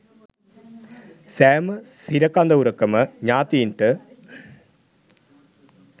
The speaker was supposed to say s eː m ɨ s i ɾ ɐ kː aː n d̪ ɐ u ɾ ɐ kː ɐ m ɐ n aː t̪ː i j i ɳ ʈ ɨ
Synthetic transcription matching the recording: s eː m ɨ s i ɾ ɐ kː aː n d̪ ɐ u ɾ ɐ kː ɐ m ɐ ɲ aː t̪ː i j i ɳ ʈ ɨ